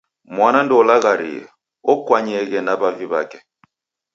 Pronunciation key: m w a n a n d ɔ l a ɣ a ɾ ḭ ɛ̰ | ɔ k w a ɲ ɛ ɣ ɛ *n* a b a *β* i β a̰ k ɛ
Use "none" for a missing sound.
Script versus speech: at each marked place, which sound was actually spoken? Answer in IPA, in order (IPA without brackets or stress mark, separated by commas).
n, v